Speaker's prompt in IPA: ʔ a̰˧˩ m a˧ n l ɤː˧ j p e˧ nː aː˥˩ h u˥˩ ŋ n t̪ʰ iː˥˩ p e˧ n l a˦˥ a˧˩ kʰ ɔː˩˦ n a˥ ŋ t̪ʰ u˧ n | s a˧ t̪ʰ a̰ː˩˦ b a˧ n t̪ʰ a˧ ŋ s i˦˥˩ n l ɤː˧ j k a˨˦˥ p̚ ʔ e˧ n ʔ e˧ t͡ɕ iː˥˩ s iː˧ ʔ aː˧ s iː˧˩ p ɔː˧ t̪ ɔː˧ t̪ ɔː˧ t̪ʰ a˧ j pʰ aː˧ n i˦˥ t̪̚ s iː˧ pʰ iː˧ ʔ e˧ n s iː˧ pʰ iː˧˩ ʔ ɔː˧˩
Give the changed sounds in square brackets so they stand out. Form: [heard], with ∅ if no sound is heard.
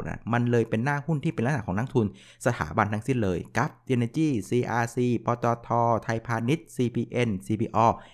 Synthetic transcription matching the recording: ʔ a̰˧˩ m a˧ n l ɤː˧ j p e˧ nː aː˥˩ h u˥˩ [∅] n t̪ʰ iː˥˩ p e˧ n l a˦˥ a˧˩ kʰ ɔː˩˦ n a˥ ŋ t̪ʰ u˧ n | s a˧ t̪ʰ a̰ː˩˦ b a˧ n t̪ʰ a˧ ŋ s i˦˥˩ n l ɤː˧ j k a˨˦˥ p̚ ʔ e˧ n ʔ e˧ t͡ɕ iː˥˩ s iː˧ ʔ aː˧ s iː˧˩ p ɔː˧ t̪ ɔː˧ [t̪ʰ] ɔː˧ t̪ʰ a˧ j pʰ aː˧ n i˦˥ t̪̚ s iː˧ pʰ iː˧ ʔ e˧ n s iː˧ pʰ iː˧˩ ʔ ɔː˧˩